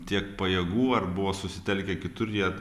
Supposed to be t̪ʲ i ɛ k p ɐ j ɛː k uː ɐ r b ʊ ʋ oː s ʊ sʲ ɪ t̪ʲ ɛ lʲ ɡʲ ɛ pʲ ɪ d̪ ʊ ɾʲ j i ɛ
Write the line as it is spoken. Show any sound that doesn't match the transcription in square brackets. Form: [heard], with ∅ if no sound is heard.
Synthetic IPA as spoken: t̪ʲ i ɛ k p ɐ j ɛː [ɡ] uː ɐ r b ʊ ʋ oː s ʊ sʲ ɪ t̪ʲ ɛ lʲ [kʲ] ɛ [kʲ] ɪ [t̪] ʊ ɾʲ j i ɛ